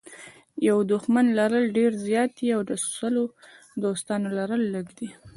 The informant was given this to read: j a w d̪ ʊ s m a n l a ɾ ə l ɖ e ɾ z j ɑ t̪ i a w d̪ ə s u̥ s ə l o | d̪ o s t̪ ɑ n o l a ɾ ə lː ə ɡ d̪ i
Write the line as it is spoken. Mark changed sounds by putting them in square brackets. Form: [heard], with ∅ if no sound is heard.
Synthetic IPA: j a w d̪ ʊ [x] m a n l a ɾ ə l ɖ e ɾ z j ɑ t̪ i a w d̪ ə s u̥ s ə l o | d̪ o s t̪ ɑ n o l a ɾ ə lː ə ɡ d̪ i